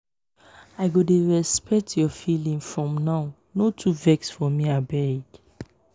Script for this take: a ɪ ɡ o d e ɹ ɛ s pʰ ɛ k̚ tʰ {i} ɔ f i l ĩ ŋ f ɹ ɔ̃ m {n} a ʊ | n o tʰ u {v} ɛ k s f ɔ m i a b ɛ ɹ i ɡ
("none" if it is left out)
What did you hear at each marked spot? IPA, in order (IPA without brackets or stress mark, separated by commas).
j, n, v